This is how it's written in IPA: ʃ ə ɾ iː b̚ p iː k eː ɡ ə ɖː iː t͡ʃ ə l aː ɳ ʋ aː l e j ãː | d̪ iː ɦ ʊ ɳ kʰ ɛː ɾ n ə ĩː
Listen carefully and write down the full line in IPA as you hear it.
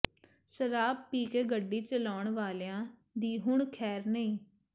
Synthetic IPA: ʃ ə ɾ aː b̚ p iː k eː ɡ ə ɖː iː t͡ʃ ə l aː ɳ ʋ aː l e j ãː | d̪ iː ɦ ʊ ɳ kʰ ɛː ɾ n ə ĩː